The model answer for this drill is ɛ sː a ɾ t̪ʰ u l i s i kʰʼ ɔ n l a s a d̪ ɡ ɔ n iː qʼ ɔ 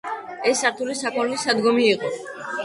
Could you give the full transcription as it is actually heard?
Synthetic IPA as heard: ɛ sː a ɾ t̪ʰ u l i s a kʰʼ ɔ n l i s a d̪ ɡ ɔ m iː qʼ ɔ